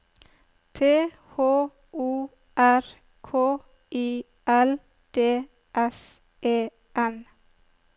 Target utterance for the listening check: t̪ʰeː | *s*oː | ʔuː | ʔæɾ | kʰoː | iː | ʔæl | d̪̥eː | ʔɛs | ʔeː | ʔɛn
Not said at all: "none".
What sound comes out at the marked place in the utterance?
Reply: h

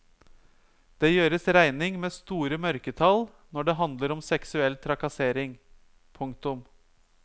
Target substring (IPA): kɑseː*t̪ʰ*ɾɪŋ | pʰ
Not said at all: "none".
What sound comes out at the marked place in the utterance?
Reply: none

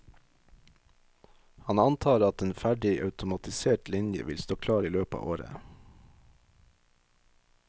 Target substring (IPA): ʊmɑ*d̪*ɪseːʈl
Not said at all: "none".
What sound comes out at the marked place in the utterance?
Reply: t̪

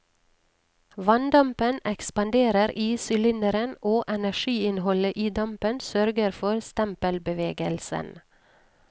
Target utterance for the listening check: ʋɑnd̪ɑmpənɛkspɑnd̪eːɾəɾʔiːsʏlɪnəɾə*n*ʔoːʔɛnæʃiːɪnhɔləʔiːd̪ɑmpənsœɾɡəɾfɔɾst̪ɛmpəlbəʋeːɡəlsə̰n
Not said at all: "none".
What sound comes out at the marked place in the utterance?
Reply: n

